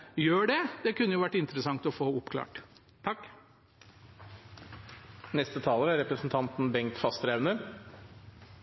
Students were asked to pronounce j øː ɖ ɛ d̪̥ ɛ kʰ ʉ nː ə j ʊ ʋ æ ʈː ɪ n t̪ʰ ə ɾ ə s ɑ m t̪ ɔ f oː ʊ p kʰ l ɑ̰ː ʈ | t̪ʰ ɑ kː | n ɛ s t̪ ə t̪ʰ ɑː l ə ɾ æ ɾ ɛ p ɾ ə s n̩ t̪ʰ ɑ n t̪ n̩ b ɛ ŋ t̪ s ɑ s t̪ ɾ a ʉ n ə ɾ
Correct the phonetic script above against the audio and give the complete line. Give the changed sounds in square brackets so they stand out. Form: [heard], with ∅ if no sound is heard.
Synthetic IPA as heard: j øː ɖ ɛ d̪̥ ɛ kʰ ʉ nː ə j ʊ ʋ æ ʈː ɪ n [t̪] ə ɾ ə s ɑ [ŋ] t̪ ɔ f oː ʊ p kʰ l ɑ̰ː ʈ | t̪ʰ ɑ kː | n ɛ s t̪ ə t̪ʰ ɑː l ə ɾ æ ɾ ɛ p ɾ ə s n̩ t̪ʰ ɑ n t̪ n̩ b ɛ ŋ t̪ [f] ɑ s t̪ ɾ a ʉ n ə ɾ